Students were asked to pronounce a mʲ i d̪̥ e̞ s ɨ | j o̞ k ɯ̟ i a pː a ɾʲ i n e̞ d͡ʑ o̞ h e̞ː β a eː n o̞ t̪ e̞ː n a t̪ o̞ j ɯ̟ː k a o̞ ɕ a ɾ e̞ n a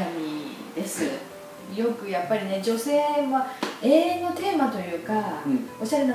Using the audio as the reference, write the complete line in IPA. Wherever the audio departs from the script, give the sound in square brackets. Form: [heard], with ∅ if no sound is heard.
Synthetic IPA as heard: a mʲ i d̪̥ e̞ s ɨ | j o̞ k ɯ̟ [j] a pː a ɾʲ i n e̞ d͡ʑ o̞ [s] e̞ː β a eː n o̞ t̪ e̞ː [m] a t̪ o̞ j ɯ̟ː k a o̞ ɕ a ɾ e̞ n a